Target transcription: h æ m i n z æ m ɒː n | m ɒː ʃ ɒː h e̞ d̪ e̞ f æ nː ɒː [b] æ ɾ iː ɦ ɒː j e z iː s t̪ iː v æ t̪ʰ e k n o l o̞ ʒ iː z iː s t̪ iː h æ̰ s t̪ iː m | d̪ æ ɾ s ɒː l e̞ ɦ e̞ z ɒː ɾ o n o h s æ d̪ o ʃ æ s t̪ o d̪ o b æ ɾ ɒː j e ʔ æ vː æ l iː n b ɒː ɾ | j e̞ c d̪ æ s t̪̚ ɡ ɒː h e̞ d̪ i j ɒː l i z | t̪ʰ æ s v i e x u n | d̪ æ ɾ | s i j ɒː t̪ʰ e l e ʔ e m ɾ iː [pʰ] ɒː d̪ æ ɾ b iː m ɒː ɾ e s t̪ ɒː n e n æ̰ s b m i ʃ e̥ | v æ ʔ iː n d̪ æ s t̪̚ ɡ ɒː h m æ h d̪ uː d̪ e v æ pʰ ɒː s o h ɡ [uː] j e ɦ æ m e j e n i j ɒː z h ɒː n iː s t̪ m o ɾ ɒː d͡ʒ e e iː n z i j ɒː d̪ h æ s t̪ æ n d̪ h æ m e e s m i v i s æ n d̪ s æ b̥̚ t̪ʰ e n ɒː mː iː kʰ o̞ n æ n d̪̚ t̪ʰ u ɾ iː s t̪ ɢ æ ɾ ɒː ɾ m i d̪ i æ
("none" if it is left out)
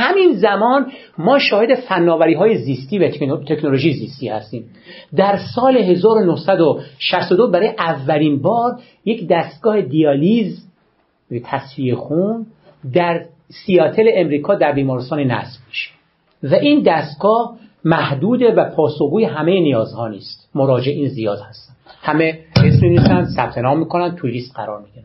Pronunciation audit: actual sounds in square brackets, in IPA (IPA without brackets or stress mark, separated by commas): v, kʰ, uː